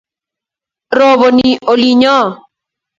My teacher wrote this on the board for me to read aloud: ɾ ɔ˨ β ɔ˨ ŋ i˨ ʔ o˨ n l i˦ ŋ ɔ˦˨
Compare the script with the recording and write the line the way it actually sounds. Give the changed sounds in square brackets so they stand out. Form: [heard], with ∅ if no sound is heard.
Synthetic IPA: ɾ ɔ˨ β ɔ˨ [n] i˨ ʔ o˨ [∅] l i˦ [ɲ] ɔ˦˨

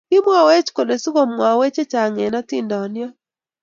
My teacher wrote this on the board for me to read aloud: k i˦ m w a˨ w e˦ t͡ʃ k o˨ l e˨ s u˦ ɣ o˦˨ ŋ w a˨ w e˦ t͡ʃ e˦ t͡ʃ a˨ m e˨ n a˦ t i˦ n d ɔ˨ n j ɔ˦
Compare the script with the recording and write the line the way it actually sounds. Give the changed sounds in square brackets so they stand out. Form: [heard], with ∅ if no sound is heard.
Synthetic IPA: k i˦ m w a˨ w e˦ t͡ʃ k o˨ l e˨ s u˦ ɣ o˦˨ [m] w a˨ w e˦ t͡ʃ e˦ t͡ʃ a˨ [ŋ] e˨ n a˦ t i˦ n d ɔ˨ n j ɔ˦

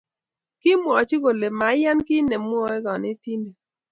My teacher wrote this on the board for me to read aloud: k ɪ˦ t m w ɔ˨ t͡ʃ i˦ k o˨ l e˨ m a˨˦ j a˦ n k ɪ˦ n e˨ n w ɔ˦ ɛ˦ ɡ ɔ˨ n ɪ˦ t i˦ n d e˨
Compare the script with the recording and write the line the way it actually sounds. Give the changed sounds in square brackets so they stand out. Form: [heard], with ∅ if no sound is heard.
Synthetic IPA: k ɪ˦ [∅] m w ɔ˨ t͡ʃ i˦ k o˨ l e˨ m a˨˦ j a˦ n k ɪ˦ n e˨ [m] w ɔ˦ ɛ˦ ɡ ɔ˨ n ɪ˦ t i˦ n d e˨

